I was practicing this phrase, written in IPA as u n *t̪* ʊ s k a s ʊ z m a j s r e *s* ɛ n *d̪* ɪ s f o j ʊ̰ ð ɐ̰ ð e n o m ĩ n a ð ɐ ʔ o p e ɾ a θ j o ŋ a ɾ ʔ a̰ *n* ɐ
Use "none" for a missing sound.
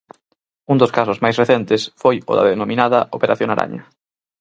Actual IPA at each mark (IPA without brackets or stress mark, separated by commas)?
d̪, θ, t̪, ɲ